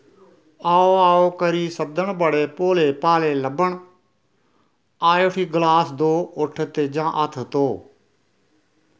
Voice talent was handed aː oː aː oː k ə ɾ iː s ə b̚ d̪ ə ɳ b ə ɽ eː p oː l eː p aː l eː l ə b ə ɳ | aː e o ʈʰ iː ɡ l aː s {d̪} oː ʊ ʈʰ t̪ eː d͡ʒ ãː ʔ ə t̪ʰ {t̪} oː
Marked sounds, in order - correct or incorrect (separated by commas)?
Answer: correct, correct